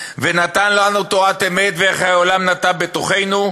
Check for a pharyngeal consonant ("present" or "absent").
absent